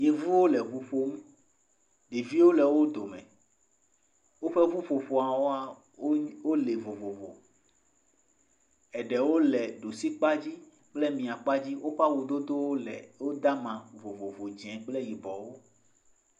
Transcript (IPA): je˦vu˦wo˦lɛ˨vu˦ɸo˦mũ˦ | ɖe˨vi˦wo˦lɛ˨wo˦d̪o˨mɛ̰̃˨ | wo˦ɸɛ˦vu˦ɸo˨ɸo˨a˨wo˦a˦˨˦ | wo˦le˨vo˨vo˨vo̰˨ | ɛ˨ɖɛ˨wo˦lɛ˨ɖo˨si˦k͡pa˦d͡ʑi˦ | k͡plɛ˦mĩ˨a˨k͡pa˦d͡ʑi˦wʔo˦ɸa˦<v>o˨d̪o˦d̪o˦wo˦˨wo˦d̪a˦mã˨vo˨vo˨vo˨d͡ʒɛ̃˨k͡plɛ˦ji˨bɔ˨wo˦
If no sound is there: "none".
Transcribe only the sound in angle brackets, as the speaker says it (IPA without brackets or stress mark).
w